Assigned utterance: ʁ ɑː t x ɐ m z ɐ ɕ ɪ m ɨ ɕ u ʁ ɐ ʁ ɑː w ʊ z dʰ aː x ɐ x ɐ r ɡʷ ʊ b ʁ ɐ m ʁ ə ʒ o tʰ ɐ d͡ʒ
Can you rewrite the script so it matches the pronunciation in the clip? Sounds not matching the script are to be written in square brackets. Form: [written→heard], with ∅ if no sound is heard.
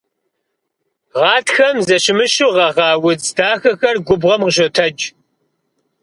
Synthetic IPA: ʁ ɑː t x ɐ m z ɐ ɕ ɪ m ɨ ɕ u ʁ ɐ ʁ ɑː w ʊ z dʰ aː x ɐ x ɐ r ɡʷ ʊ b ʁ ɐ m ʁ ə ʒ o tʰ ɐ d͡ʒ